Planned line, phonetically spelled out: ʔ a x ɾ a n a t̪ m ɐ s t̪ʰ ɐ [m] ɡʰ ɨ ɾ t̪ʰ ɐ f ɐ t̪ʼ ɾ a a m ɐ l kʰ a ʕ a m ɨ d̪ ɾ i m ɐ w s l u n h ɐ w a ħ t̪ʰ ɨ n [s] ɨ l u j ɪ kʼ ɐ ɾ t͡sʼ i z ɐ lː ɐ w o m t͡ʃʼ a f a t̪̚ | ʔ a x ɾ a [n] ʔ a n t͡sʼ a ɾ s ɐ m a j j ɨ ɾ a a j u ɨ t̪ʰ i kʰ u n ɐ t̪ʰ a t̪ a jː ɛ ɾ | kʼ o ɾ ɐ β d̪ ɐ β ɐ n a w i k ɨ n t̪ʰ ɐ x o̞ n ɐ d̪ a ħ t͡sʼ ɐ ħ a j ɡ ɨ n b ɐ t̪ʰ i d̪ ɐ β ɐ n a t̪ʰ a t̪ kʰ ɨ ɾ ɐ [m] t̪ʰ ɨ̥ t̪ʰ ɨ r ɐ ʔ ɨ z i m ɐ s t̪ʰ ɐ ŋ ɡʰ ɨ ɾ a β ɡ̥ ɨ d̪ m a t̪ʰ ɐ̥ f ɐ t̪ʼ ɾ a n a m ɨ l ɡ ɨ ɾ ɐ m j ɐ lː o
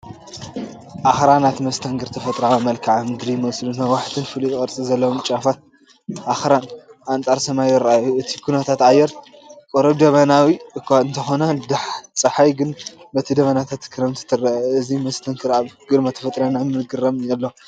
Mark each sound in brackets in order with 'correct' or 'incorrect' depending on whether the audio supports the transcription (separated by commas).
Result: incorrect, incorrect, correct, correct